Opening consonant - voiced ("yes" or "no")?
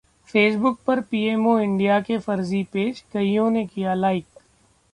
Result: no